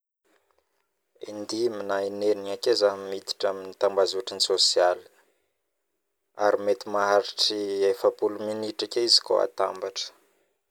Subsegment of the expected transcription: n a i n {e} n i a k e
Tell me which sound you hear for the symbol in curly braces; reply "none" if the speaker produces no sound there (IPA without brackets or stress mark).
e